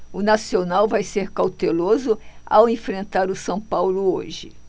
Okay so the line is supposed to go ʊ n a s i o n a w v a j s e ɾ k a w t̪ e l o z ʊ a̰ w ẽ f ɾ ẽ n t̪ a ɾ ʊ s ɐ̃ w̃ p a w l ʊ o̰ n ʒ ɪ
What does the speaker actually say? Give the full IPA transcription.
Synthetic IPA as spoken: ʊ n a s i o n a w v a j s e ɾ k a w t̪ e l o z ʊ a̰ w ẽ f ɾ ẽ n t̪ a ɾ ʊ s ɐ̃ w̃ p a w l ʊ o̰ ʒ ɪ